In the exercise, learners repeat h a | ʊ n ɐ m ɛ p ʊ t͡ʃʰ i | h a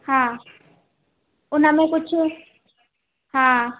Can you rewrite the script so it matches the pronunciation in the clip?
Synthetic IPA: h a | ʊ n a m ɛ k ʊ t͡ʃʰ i | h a